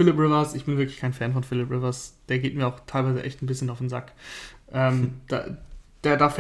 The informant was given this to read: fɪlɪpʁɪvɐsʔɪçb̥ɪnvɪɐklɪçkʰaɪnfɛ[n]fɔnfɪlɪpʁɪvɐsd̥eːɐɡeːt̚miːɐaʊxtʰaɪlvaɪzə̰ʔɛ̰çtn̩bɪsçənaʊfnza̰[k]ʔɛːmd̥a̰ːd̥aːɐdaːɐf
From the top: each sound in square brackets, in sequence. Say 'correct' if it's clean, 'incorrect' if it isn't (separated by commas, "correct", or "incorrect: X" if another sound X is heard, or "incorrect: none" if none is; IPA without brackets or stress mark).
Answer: correct, correct